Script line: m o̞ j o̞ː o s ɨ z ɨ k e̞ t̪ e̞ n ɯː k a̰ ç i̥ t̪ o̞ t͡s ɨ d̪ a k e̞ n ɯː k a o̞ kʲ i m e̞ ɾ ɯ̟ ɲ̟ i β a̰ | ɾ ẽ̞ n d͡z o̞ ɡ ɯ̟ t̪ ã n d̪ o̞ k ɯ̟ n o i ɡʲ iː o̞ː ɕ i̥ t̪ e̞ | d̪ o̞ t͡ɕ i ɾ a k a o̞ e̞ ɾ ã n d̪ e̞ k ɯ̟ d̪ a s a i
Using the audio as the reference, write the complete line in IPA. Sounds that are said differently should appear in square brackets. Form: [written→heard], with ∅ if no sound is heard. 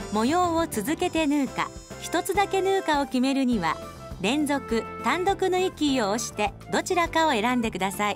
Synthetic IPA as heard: m o̞ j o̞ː o [s→t͡s] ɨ z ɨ k e̞ t̪ e̞ n ɯː k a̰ ç i̥ t̪ o̞ t͡s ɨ d̪ a k e̞ n ɯː k a o̞ kʲ i m e̞ ɾ ɯ̟ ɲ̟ i β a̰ | ɾ ẽ̞ n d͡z o̞ [ɡ→k] ɯ̟ t̪ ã n d̪ o̞ k ɯ̟ n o i [ɡʲ→kʲ] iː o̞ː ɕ i̥ t̪ e̞ | d̪ o̞ t͡ɕ i ɾ a k a o̞ e̞ ɾ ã n d̪ e̞ k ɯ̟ d̪ a s a i